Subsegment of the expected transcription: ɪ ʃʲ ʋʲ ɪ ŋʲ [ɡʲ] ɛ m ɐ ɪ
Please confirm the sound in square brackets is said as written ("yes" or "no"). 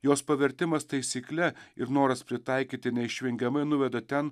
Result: yes